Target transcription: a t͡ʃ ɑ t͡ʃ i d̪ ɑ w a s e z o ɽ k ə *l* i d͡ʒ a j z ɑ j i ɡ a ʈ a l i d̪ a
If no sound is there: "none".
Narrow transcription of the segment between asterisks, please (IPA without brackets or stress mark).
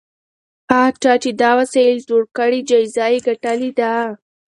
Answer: ɽ